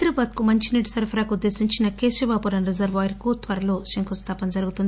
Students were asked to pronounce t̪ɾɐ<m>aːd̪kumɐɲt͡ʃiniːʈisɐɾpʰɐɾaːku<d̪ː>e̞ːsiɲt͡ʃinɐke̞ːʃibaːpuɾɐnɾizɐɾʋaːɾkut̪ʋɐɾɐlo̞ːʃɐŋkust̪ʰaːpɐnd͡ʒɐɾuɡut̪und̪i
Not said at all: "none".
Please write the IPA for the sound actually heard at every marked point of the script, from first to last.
b, d̪ː

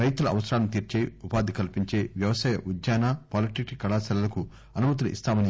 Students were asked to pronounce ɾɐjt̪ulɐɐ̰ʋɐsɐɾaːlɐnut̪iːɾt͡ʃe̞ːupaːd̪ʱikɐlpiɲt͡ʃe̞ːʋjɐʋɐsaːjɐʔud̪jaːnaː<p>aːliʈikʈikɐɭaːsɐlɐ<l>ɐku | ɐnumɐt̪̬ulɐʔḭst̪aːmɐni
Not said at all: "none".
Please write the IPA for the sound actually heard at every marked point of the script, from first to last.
p, l

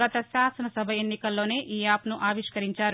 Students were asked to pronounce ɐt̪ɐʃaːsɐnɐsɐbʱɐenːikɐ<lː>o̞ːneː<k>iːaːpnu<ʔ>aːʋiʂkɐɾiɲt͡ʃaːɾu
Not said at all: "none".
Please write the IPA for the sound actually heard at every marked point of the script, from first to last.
lː, ʔ, ʔ

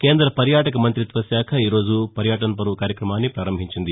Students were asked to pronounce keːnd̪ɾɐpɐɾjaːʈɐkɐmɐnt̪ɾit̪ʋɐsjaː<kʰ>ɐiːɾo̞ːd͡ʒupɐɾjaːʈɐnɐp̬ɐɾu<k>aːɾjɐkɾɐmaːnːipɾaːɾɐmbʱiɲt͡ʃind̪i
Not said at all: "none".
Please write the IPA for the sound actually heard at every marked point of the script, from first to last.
kʰ, k

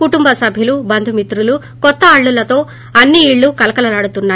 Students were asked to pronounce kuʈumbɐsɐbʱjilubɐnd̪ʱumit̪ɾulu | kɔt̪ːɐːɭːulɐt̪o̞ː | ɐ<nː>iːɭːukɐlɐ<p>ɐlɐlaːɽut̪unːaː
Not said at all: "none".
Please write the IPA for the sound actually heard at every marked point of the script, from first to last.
nː, k

